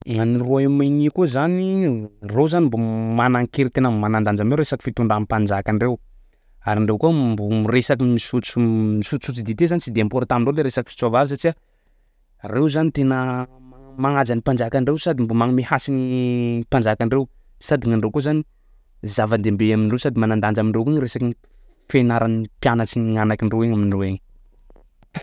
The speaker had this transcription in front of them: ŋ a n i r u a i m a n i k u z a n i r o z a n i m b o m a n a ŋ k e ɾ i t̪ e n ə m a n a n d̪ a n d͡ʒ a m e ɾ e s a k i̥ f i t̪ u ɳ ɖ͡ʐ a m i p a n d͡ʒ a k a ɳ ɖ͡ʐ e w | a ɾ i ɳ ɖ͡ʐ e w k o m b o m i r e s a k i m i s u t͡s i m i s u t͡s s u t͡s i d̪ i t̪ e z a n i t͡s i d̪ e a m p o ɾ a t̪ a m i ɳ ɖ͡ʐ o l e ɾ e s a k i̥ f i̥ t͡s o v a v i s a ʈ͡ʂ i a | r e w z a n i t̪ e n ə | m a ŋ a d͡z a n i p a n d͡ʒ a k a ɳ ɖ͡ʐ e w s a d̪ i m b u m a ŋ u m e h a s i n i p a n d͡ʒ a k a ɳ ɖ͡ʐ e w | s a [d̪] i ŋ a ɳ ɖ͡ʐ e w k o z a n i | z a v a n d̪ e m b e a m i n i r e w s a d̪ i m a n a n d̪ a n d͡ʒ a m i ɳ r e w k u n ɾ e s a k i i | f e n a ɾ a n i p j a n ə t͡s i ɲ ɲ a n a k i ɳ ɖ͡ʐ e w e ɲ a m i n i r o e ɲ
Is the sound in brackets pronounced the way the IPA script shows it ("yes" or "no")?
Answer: yes